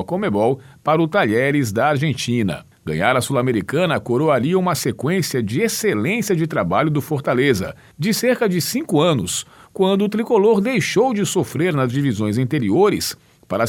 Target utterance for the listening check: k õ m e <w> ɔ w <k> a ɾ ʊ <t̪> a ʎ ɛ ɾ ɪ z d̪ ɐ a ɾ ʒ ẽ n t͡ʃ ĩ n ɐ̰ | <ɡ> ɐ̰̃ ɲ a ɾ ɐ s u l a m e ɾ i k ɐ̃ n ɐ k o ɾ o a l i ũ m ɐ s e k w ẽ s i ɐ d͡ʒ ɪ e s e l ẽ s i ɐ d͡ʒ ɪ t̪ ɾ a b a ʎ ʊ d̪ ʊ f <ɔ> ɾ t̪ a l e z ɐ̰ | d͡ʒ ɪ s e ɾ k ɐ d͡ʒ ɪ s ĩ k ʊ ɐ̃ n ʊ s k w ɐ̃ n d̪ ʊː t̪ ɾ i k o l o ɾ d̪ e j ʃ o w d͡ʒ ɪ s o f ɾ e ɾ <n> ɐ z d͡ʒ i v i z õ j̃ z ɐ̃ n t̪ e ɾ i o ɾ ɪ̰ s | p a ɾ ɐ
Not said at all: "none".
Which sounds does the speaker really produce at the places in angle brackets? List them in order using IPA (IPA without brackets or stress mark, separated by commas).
b, p, t̪, ɡ, o, n